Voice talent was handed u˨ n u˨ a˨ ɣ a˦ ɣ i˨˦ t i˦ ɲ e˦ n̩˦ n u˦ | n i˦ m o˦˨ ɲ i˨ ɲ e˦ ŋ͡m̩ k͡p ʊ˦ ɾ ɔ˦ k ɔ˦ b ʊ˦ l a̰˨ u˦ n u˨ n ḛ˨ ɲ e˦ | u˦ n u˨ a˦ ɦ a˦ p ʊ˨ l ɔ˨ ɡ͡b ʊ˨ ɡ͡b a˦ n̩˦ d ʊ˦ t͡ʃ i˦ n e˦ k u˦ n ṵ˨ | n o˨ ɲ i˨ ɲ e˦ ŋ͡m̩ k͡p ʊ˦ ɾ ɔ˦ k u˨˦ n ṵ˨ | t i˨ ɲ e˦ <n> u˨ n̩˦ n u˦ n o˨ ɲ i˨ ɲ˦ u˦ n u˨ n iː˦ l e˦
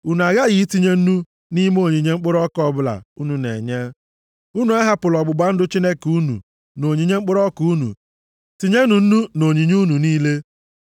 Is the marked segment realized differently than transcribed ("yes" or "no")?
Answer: no